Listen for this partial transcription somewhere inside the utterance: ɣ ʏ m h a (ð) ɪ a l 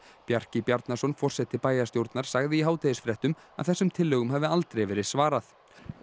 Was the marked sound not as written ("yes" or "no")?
yes